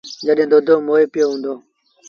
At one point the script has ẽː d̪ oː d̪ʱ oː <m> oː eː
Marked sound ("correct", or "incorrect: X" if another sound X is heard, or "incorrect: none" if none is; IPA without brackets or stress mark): correct